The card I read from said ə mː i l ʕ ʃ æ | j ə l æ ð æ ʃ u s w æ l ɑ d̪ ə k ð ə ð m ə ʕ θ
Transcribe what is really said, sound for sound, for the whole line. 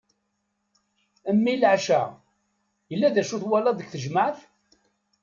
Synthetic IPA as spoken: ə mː i l ʕ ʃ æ | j ə lː æ ð æ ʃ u θ w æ l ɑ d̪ ə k θ ə ʒ m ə ʕ θ